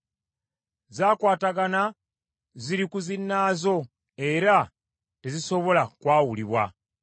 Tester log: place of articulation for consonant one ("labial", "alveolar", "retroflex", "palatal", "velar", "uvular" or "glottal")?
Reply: alveolar